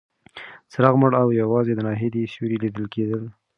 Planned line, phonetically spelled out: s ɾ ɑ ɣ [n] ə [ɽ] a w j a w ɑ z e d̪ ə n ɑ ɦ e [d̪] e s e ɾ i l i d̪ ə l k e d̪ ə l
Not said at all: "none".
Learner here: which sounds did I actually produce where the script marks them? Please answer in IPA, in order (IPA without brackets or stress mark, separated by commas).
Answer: m, ɽ, d̪